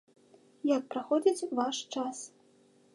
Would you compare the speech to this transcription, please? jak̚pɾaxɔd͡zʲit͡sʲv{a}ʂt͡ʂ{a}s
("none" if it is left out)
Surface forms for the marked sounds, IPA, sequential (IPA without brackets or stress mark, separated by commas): a, a